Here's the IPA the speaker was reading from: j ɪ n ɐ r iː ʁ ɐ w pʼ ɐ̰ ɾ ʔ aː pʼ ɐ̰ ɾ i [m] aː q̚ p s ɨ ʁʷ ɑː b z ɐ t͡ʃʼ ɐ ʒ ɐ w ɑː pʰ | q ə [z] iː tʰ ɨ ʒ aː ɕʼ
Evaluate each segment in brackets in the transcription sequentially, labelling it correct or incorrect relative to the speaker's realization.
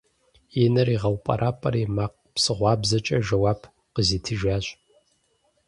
correct, correct

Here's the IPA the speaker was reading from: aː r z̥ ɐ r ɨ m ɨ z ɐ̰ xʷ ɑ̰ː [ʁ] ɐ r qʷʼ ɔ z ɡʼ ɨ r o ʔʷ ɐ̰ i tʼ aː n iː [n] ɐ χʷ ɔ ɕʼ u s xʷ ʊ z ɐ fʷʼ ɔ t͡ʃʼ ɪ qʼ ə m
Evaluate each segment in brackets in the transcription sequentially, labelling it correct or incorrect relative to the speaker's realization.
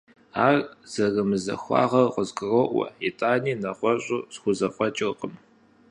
correct, correct

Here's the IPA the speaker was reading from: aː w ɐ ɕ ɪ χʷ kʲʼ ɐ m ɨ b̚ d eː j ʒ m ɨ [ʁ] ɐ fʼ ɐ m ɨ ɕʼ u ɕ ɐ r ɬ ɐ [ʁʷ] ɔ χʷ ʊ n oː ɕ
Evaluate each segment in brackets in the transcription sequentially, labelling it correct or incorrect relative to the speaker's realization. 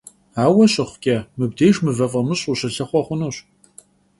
incorrect, incorrect

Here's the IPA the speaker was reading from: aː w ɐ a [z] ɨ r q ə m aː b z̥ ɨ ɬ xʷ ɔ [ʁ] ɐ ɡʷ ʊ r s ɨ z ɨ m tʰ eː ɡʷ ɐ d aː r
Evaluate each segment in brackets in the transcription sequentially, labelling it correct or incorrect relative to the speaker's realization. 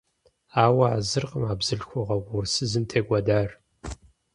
correct, correct

